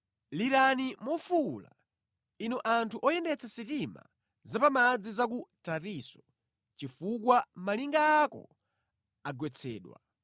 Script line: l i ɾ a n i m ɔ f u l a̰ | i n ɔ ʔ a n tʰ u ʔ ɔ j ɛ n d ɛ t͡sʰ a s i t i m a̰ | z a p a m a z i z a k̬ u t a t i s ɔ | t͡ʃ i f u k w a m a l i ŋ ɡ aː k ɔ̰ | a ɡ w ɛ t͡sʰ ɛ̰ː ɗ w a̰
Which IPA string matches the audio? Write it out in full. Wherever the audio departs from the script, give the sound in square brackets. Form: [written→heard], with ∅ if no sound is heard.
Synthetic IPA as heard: l i ɾ a n i m ɔ f u l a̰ | i n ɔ ʔ a n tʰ u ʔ ɔ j ɛ n d ɛ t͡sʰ a s i t i m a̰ | z a p a m a [z→d͡z] i z a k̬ u t a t i s ɔ | t͡ʃ i f u k w a m a l i ŋ ɡ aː k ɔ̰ | a ɡ w ɛ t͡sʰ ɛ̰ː ɗ w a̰